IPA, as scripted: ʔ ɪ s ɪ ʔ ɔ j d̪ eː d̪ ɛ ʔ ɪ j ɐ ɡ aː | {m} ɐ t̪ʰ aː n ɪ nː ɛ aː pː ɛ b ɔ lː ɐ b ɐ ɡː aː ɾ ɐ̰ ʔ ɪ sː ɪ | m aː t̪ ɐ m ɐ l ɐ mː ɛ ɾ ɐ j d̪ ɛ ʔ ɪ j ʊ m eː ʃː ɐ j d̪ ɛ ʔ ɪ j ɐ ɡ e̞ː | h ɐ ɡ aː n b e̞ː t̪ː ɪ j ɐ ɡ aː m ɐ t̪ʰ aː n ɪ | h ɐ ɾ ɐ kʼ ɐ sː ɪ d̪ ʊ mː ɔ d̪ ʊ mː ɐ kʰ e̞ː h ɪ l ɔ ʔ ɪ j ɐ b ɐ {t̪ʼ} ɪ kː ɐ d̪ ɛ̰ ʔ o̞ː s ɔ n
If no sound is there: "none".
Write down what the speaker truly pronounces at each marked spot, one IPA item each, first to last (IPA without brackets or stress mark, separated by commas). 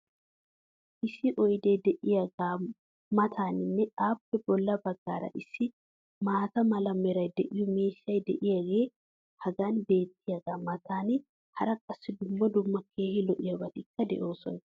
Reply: m, t̪